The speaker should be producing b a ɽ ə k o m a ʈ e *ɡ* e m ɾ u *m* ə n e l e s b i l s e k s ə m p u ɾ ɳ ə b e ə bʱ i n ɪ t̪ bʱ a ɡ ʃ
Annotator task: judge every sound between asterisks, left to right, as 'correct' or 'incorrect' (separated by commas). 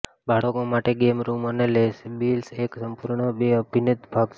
correct, correct